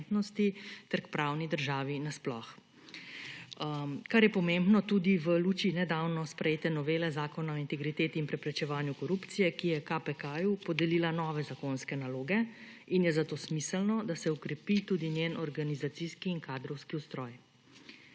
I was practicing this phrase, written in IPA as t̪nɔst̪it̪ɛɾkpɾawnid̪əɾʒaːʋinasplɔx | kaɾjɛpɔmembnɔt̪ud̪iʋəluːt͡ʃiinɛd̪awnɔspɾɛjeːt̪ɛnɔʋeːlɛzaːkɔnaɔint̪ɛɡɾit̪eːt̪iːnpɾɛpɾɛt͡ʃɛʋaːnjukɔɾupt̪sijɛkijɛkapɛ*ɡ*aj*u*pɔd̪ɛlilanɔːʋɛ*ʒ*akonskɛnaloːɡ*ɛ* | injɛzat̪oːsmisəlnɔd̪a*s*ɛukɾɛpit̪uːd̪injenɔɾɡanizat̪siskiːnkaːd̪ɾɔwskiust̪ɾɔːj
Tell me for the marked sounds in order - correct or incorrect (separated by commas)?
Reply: incorrect, correct, incorrect, correct, correct